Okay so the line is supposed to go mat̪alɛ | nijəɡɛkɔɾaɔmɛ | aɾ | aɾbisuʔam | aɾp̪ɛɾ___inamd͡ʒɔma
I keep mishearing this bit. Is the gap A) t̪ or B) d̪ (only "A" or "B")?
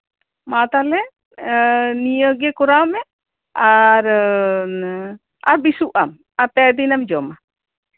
B